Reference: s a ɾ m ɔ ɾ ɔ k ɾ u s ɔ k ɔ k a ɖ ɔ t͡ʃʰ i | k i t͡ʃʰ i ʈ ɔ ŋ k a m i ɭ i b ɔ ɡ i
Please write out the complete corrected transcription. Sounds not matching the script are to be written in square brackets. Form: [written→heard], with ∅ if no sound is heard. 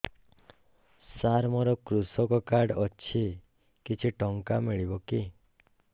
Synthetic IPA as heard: s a ɾ m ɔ ɾ ɔ k ɾ u s ɔ k ɔ k a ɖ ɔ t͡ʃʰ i | k i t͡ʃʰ i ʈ ɔ ŋ k a m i ɭ i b ɔ [ɡ→k] i